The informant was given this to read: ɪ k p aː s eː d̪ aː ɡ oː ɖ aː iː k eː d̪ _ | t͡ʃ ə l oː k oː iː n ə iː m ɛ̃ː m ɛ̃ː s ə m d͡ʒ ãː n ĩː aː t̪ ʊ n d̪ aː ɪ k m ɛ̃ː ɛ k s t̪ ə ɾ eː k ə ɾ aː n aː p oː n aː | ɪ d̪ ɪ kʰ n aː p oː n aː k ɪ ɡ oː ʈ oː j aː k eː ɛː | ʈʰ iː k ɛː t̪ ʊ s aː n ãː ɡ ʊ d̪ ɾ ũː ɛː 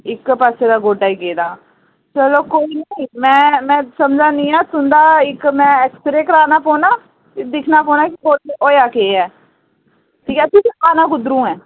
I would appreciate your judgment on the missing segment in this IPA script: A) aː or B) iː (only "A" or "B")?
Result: A